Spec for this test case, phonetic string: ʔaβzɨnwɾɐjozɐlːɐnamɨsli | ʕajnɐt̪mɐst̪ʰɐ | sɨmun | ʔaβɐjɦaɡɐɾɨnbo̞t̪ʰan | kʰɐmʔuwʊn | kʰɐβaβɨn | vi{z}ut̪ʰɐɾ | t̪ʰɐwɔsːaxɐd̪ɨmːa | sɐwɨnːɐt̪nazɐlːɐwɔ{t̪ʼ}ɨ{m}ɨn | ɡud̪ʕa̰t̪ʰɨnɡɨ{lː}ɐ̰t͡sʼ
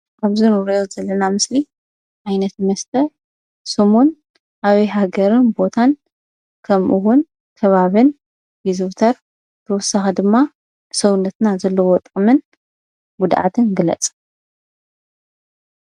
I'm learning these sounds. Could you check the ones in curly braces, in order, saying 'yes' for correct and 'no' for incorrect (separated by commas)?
yes, yes, yes, no